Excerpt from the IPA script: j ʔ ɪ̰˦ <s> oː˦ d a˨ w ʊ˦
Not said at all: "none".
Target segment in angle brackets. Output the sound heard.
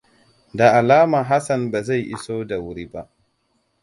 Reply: s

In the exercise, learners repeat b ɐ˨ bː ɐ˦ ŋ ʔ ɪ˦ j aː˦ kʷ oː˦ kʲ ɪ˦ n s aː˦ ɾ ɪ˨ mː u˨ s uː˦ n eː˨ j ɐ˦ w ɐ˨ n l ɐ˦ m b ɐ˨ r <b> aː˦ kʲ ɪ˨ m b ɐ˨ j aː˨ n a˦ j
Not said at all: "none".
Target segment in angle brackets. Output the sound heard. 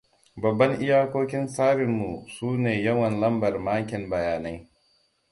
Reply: m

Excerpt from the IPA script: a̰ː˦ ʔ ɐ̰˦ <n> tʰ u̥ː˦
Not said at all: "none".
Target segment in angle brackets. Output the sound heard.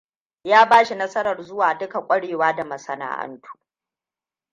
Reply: n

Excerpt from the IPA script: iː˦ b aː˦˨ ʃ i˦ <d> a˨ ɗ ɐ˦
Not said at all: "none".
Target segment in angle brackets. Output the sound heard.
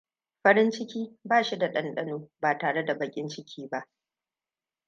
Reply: d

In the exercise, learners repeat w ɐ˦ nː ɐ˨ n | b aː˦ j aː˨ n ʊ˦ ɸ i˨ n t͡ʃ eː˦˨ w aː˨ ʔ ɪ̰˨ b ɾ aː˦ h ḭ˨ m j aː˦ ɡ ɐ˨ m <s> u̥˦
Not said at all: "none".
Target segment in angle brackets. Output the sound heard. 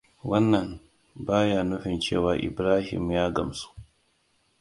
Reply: s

